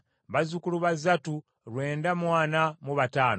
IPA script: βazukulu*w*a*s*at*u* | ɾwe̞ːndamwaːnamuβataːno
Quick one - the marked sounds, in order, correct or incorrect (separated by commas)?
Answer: incorrect, incorrect, correct